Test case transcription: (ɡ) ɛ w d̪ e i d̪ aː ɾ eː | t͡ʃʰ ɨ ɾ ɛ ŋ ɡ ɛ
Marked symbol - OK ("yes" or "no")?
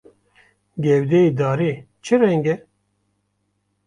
yes